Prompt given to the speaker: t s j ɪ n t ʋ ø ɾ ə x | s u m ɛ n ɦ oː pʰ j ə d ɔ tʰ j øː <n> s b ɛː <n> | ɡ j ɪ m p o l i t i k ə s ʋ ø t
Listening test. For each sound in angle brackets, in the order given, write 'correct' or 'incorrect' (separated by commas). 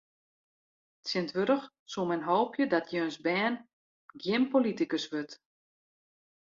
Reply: correct, correct